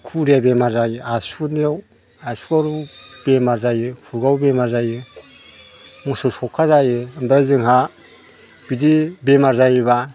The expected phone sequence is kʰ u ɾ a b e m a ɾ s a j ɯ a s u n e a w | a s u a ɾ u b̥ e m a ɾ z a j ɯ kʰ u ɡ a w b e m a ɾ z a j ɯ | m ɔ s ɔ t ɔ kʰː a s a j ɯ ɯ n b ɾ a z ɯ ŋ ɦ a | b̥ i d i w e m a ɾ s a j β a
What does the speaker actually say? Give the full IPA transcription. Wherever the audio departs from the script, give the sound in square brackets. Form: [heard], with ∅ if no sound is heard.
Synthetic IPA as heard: kʰ u ɾ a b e m a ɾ [z] a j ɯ a s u n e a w | a s u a ɾ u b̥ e m a ɾ z a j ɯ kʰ u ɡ a w b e m a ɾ z a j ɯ | m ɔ s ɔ [s] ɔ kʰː a [z] a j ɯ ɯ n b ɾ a z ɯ ŋ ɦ a | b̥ i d i [b] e m a ɾ [z] a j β a

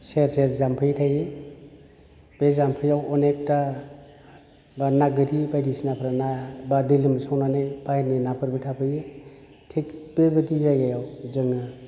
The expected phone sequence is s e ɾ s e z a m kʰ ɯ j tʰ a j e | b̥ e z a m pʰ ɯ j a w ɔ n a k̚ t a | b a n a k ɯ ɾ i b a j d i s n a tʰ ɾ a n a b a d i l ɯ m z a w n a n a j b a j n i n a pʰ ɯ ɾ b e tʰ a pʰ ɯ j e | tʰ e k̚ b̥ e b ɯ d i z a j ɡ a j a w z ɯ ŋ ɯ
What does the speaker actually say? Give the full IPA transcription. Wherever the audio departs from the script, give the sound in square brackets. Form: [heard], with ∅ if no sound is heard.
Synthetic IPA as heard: s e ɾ s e z a m [pʰ] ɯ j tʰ a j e | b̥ e z a m pʰ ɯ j a w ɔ n [e] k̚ t a | b a n a [ɡ] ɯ ɾ i b a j d i s n a [pʰ] ɾ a n a b a d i l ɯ m [s] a w n a n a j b a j n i n a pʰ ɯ ɾ b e tʰ a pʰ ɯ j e | tʰ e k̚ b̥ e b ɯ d i z a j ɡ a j a w z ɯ ŋ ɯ

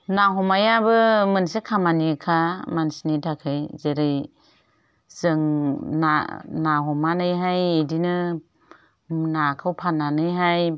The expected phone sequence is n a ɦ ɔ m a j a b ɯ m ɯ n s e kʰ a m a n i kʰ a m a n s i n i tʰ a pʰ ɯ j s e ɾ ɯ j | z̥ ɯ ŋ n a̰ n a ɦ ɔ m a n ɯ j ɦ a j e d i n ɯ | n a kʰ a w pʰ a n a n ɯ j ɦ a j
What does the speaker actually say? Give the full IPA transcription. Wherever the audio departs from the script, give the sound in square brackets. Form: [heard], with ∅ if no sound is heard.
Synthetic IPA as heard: n a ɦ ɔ m a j a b ɯ m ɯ n s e kʰ a m a n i kʰ a m a n s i n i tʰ a [kʰ] ɯ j [z] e ɾ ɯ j | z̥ ɯ ŋ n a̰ n a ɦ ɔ m a n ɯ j ɦ a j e d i n ɯ | n a kʰ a w pʰ a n a n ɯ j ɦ a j

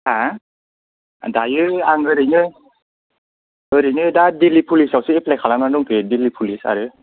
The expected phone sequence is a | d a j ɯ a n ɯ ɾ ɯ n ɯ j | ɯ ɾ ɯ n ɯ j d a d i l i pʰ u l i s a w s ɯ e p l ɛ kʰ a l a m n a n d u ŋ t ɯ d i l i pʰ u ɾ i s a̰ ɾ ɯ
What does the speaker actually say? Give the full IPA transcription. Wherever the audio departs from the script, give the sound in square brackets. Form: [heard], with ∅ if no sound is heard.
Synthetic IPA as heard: a | d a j ɯ a [ŋ] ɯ ɾ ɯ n ɯ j | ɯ ɾ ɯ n ɯ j d a d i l i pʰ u l i s a w s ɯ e p l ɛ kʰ a l a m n a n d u ŋ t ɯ d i l i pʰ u [l] i s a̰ ɾ ɯ

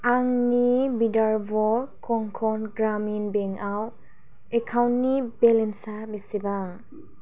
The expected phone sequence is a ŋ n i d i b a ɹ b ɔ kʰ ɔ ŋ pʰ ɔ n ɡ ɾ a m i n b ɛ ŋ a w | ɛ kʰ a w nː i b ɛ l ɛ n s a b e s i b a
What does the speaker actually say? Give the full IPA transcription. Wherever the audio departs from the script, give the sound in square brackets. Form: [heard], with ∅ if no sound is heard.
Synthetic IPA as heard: a ŋ n i [b] i [d] a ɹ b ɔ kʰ ɔ ŋ [kʰ] ɔ n ɡ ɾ a m i n b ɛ ŋ a w | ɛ kʰ a w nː i b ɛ l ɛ n s a b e s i b a

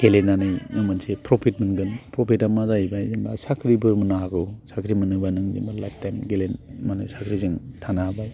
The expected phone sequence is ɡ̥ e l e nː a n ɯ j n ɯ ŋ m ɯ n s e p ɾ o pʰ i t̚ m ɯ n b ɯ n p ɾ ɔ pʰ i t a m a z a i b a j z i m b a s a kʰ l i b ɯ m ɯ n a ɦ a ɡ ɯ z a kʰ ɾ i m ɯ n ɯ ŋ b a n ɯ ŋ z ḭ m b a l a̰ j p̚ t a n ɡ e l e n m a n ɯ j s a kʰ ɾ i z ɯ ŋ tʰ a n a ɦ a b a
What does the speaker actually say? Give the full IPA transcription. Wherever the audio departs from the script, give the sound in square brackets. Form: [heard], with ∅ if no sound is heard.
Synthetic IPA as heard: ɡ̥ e l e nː a n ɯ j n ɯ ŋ m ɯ n s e p ɾ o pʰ i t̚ m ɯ n [ɡ] ɯ n p ɾ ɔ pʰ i t a m a z a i b a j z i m b a s a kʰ [ɾ] i b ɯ m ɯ n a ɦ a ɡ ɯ [s] a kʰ ɾ i m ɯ n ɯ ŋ b a n ɯ ŋ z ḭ m b a l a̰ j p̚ t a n ɡ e l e n m a n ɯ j s a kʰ ɾ i z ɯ ŋ tʰ a n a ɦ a b a

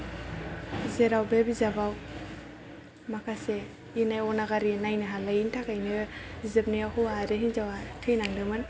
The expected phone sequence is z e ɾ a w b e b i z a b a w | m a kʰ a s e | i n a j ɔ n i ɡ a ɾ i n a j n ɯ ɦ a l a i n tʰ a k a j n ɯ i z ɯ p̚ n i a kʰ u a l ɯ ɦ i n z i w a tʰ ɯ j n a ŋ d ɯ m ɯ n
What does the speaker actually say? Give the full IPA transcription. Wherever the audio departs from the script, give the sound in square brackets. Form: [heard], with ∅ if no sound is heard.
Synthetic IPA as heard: z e ɾ a w b e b i z a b a w | m a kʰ a s e | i n a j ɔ n [a] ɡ a ɾ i n a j n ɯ ɦ a l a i n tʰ a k a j n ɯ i z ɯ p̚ n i a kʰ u a [ɾ] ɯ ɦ i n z [a] w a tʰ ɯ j n a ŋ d ɯ m ɯ n

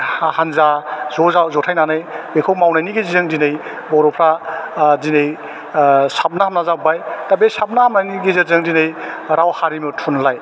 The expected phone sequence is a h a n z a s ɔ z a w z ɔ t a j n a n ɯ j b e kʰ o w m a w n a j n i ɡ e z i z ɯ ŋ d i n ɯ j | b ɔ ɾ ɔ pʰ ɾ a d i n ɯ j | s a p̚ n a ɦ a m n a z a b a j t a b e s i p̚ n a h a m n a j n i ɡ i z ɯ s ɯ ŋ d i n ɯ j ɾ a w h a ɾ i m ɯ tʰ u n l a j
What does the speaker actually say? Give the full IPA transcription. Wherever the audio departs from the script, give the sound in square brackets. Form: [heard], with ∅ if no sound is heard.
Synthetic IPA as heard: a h a n z a [z] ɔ z a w z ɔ [tʰ] a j n a n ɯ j b e kʰ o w m a w n a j n i ɡ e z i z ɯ ŋ d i n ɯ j | b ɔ ɾ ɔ pʰ ɾ a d i n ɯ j | s a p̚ n a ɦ a m n a z a b a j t a b e s [a] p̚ n a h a m n a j n i ɡ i z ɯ [z] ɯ ŋ d i n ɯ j ɾ a w h a ɾ i m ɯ tʰ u n l a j

